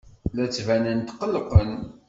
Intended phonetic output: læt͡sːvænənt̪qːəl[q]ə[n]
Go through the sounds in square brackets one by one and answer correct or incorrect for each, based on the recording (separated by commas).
correct, correct